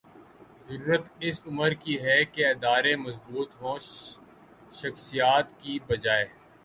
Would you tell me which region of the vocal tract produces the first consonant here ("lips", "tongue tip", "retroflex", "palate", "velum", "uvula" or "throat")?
tongue tip